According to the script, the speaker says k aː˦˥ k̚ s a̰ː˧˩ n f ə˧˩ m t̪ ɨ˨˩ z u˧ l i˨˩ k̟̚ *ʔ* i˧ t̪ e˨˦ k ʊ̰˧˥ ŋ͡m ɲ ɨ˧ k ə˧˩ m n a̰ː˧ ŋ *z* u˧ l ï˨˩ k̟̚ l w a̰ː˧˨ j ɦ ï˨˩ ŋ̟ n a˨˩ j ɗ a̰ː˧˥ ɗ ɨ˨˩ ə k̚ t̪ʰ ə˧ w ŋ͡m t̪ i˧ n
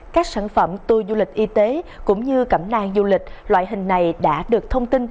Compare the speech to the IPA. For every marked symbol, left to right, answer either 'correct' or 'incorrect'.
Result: correct, correct

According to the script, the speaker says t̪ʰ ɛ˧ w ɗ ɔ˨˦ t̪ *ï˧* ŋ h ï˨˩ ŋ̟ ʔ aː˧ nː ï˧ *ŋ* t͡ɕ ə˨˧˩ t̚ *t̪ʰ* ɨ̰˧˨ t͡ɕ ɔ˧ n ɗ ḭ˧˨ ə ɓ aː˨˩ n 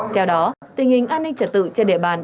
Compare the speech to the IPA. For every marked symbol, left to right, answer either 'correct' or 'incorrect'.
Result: incorrect, correct, incorrect

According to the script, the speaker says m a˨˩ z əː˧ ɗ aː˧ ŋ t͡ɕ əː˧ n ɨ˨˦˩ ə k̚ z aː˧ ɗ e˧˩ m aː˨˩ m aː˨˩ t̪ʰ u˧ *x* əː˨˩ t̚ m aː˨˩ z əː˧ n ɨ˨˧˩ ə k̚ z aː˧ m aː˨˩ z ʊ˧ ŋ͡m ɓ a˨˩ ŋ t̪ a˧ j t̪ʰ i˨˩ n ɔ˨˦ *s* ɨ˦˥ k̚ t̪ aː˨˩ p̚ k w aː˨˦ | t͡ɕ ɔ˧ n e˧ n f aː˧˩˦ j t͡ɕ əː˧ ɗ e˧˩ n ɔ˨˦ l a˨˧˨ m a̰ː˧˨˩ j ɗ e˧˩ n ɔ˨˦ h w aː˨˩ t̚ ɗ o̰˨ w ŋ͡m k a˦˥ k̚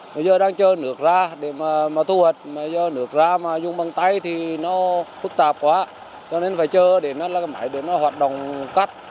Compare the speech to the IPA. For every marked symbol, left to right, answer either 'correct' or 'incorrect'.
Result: incorrect, incorrect

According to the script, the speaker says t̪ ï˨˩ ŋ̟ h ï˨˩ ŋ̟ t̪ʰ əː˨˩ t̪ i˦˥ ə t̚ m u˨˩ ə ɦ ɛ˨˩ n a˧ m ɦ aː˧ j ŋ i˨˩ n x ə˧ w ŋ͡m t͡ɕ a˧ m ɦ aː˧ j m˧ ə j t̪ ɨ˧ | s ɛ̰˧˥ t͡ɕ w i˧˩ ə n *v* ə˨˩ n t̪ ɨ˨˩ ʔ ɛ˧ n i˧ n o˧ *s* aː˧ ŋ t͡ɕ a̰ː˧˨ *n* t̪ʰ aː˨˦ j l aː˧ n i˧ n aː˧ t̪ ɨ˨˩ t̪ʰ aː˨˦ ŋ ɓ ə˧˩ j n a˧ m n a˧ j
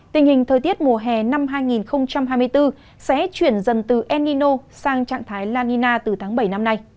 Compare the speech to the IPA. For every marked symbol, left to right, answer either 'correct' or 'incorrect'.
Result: incorrect, correct, incorrect

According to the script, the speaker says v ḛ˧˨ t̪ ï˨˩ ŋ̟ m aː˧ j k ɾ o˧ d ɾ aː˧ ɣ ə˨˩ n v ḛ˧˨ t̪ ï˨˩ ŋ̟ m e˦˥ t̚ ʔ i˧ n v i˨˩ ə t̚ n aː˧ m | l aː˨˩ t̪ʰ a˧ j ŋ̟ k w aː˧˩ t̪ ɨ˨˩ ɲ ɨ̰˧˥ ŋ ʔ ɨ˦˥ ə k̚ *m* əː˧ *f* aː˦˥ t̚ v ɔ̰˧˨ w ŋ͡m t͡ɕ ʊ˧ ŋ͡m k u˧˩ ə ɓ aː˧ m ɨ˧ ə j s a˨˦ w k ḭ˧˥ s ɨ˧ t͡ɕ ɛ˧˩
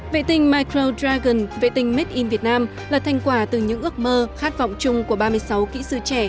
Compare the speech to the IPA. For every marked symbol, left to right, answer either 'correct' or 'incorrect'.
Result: correct, incorrect

